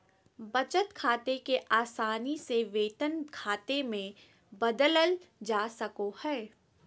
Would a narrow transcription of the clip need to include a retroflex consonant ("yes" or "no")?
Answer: no